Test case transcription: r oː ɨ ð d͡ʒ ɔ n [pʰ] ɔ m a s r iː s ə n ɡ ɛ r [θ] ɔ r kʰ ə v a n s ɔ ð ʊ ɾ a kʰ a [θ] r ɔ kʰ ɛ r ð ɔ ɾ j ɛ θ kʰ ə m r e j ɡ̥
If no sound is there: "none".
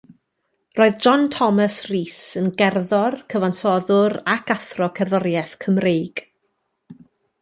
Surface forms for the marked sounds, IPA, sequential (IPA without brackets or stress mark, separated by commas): tʰ, ð, θ